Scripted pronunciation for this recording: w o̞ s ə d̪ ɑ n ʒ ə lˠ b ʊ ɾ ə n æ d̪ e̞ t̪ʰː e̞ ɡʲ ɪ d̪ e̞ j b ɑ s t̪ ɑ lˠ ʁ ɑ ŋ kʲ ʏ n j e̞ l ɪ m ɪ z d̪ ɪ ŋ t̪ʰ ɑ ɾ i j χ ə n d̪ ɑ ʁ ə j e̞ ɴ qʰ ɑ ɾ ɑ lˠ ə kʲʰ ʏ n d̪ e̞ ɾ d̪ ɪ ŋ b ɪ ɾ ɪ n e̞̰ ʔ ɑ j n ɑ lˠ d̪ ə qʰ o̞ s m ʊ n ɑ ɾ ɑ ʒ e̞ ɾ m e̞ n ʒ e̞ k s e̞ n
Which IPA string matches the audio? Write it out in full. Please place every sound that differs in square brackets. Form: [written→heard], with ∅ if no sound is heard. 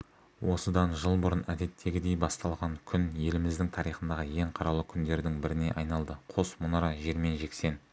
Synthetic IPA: w o̞ s ə d̪ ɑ n ʒ ə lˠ b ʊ ɾ ə n æ d̪ e̞ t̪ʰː e̞ ɡʲ ɪ d̪ e̞ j b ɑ s t̪ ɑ lˠ ʁ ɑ ŋ [kʲ→kʲʰ] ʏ n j e̞ l ɪ m ɪ z d̪ ɪ ŋ t̪ʰ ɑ ɾ i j χ ə n d̪ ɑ ʁ ə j e̞ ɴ qʰ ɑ ɾ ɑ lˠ ə kʲʰ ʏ n d̪ e̞ ɾ d̪ ɪ ŋ b ɪ ɾ ɪ n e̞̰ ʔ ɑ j n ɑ lˠ d̪ ə qʰ o̞ s m ʊ n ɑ ɾ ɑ ʒ e̞ ɾ m e̞ n ʒ e̞ k s e̞ n